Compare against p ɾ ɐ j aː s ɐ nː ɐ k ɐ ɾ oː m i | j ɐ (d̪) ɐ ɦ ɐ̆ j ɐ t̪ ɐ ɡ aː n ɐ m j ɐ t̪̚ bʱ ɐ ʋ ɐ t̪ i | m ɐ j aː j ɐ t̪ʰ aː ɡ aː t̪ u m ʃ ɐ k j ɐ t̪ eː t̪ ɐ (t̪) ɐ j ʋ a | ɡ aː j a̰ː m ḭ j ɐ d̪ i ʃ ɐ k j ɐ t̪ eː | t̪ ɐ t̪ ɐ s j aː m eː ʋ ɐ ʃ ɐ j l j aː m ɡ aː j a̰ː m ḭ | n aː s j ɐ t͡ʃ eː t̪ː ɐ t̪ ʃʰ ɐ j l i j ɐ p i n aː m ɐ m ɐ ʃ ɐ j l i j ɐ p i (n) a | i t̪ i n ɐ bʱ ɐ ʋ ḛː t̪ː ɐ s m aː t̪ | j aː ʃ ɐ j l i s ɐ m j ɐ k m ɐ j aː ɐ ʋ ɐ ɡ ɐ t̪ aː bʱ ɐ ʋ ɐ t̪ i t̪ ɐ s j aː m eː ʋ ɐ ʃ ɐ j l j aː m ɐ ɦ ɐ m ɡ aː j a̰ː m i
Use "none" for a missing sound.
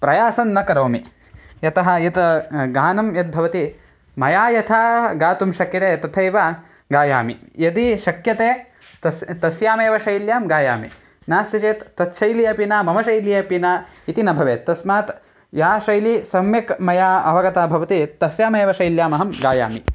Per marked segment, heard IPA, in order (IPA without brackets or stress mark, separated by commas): t̪, t̪ʰ, n